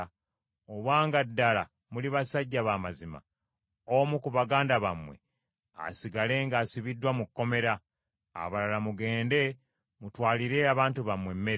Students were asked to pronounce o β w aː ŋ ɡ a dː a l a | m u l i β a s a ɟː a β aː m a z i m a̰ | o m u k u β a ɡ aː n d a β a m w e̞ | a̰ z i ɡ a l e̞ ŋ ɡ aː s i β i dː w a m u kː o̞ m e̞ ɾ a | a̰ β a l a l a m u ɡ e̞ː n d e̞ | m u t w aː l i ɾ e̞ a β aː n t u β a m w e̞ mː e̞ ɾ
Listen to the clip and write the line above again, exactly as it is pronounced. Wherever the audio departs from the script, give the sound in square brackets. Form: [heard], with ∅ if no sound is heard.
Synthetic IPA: o β w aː ŋ ɡ a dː a l a | m u l i β a s a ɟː a β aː m a z i m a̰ | o m u k u β a ɡ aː n d a β a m w e̞ | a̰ [s] i ɡ a l e̞ ŋ ɡ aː s i β i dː w a m u kː o̞ m e̞ ɾ a | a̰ β a l a l a m u ɡ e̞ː n d e̞ | m u t w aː l i ɾ e̞ a β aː n t u β a m w e̞ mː e̞ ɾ